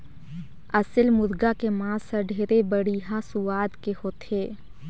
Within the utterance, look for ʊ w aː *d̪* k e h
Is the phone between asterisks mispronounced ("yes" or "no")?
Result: no